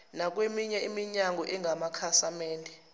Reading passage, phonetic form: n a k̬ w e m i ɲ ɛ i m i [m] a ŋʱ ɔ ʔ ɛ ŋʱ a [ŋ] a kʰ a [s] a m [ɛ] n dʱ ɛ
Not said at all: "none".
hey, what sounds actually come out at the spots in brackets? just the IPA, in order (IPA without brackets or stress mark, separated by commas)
ɲ, m, s, ɛː